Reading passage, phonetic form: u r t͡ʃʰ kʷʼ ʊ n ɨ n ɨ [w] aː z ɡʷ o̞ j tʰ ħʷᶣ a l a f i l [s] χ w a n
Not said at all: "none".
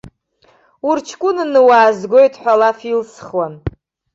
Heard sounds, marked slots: w, s

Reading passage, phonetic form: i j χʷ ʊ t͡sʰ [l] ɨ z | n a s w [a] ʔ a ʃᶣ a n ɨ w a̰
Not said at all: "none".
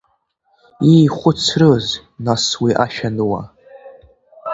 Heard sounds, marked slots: r, i

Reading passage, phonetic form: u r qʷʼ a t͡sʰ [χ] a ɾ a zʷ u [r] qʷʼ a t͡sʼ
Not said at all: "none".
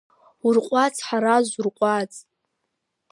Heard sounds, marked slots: ħ, r

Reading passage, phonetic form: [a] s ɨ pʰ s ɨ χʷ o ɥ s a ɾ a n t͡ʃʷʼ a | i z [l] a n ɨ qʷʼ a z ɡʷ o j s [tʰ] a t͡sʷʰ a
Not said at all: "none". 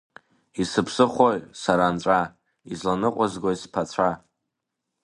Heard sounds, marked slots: i, l, pʰ

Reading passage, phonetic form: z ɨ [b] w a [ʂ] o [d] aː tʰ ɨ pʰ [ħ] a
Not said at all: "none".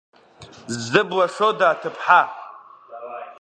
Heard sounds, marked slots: b, ʂ, d, ħ

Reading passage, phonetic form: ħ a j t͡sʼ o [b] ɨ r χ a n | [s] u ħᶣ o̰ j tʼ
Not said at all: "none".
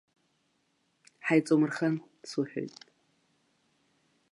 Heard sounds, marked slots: m, s

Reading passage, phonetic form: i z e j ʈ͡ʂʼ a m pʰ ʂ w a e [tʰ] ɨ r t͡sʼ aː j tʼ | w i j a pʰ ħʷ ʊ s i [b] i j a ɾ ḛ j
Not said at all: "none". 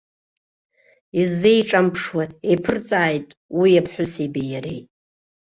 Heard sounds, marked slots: pʰ, b

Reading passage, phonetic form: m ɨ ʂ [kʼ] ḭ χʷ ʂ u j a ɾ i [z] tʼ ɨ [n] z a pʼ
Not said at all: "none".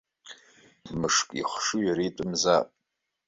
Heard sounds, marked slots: kʼ, none, m

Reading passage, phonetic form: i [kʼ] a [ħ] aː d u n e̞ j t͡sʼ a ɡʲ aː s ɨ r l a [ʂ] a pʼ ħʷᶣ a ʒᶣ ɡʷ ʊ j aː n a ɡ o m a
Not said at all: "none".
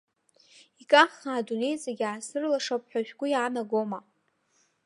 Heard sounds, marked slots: kʼ, χ, ʂ

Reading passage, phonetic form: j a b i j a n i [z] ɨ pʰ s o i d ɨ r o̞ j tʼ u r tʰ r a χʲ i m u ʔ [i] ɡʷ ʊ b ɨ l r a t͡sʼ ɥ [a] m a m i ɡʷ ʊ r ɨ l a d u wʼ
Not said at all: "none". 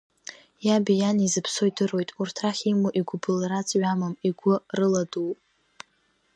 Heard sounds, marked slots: z, i, a

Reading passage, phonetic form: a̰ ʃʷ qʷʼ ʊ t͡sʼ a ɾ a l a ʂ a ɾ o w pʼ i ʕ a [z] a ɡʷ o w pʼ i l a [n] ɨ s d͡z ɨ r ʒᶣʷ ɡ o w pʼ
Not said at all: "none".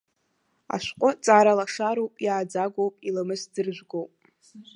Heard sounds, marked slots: d͡z, m

